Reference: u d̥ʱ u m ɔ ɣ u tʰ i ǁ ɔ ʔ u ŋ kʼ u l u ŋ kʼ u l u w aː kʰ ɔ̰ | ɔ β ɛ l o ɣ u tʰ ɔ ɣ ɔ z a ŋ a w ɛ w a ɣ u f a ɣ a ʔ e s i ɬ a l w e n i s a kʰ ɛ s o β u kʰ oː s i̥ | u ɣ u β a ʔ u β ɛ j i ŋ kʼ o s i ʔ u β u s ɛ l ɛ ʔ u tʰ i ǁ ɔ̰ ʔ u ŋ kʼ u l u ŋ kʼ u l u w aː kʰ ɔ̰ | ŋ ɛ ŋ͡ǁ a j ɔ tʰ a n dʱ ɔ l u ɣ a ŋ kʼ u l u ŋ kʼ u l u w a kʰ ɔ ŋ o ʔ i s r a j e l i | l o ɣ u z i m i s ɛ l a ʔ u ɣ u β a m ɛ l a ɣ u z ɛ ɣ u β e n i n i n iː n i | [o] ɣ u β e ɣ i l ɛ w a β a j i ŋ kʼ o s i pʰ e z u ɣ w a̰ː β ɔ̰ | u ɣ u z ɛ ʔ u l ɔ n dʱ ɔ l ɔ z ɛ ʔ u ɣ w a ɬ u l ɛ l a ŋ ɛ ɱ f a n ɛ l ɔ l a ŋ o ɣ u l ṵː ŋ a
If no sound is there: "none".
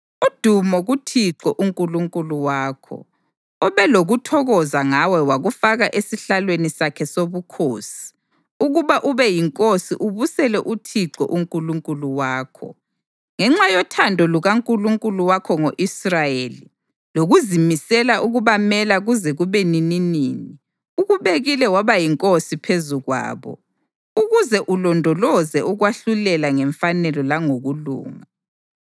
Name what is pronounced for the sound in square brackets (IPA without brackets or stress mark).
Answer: u